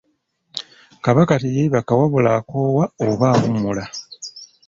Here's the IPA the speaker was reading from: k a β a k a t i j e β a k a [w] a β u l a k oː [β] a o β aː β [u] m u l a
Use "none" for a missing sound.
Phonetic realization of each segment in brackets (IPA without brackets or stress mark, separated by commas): w, w, u